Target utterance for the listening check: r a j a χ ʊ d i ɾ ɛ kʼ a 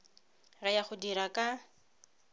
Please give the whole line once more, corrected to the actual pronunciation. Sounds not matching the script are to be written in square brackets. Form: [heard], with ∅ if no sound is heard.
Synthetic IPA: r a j a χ ʊ d i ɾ [a] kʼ a